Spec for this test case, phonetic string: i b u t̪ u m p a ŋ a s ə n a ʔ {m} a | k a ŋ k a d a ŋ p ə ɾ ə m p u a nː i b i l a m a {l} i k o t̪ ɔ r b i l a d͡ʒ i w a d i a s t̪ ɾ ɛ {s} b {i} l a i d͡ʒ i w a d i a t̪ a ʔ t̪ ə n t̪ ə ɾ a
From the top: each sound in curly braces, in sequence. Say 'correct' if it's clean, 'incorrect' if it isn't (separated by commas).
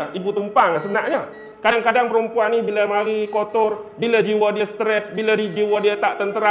incorrect, incorrect, correct, correct